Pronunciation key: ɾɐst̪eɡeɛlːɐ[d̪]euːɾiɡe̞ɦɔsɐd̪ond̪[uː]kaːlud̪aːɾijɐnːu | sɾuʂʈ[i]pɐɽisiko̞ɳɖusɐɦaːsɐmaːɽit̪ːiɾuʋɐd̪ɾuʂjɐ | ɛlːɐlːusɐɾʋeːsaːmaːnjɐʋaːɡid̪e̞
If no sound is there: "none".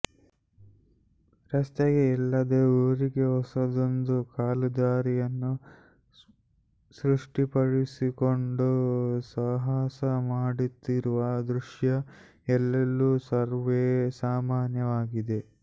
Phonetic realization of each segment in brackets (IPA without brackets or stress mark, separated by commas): d̪, u, i